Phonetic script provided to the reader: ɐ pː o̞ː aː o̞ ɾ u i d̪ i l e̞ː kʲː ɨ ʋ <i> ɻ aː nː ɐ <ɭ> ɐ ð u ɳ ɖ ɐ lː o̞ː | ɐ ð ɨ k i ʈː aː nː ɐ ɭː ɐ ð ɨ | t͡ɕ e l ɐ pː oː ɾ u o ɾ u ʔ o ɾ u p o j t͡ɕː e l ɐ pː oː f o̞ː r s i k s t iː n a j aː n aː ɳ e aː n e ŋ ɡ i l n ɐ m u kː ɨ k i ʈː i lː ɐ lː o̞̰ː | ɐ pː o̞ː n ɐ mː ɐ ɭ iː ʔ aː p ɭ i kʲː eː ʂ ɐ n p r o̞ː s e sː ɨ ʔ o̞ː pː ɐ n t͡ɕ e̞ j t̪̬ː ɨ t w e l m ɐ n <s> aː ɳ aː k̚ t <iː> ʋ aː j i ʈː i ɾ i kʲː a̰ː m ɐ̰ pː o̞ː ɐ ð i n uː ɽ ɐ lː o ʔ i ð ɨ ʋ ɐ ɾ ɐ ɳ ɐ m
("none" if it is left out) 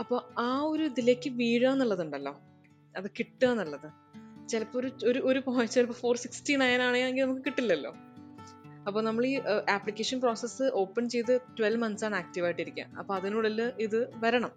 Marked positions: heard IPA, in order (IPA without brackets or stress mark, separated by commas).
iː, ɭː, s, i